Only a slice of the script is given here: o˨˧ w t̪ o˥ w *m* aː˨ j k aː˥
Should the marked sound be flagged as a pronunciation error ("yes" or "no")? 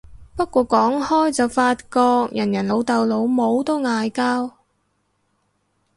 yes